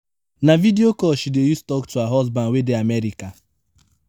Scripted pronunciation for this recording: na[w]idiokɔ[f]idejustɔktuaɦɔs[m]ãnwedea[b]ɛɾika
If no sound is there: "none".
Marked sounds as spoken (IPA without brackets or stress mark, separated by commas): v, ʃ, b, m